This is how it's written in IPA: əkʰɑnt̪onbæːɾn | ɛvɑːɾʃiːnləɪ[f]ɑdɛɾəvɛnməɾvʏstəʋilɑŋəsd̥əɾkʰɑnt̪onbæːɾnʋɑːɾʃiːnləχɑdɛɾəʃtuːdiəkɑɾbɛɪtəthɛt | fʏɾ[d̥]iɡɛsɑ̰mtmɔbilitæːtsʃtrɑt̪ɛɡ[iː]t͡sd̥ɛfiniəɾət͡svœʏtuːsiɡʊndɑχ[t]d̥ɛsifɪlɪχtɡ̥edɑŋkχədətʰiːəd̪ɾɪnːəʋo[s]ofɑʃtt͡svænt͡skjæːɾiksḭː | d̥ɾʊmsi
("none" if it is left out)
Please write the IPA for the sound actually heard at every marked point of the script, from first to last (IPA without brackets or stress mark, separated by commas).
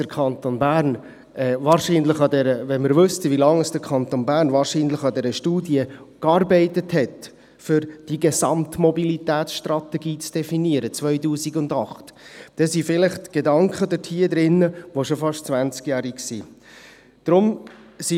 χ, d̥, iː, t, ʃ